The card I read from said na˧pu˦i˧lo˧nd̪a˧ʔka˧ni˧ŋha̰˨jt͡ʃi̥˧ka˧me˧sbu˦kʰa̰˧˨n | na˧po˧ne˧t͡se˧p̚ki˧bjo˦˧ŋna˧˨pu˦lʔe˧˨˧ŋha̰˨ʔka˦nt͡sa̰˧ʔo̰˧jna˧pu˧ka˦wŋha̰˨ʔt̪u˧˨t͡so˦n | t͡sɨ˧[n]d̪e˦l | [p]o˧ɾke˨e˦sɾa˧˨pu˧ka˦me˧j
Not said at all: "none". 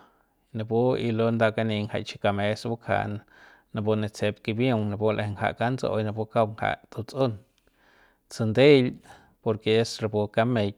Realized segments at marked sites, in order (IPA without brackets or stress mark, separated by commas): n, p